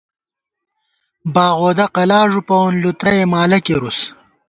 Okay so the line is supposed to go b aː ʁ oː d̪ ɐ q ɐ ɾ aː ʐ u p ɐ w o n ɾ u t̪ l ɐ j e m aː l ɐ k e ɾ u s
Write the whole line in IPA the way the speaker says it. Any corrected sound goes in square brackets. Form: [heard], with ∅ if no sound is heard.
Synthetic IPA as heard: b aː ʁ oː d̪ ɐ q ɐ [l] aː ʐ u p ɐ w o n [l] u t̪ [ɾ] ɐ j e m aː l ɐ k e ɾ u s